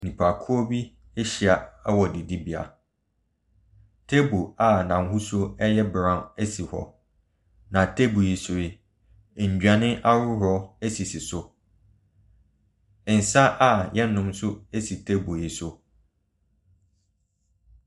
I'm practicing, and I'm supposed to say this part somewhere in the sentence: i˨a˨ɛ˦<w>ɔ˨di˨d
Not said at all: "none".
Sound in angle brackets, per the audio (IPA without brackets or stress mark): w